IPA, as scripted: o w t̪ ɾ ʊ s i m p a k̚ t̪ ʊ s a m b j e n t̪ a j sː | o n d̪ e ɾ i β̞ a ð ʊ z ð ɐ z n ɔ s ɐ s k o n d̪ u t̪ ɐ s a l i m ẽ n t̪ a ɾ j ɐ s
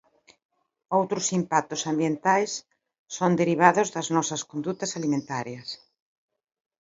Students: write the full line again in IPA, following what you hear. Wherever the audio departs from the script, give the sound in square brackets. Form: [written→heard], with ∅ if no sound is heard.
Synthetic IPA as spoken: o w t̪ ɾ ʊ s i m p a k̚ t̪ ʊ s a m b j e n t̪ a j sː | o n d̪ e ɾ i β̞ a ð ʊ z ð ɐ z n ɔ s ɐ s k o n d̪ u t̪ ɐ s a l i m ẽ n t̪ a ɾ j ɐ s